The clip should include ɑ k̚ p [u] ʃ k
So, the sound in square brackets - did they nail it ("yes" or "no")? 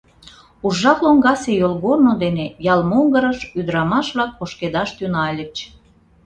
no